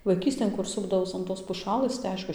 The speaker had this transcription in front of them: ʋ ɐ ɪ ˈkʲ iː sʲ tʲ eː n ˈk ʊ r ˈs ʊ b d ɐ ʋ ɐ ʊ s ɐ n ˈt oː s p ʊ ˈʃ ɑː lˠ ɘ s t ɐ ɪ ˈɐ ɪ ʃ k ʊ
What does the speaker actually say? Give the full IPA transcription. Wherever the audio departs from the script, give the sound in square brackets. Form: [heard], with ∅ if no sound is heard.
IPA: ʋ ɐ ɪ ˈkʲ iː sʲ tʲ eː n ˈk ʊ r ˈs ʊ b d ɐ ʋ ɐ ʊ s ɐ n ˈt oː s p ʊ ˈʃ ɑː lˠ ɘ s t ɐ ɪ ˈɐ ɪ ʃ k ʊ